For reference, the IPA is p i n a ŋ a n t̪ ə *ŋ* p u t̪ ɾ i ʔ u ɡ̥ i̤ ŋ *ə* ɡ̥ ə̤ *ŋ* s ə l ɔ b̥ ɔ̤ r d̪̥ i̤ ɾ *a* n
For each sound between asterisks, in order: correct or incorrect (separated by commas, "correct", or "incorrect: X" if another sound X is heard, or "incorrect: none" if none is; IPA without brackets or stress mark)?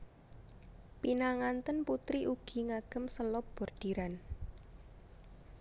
incorrect: n, incorrect: a, incorrect: m, correct